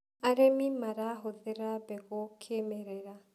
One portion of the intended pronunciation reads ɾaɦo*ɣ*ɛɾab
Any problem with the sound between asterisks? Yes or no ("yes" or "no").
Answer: yes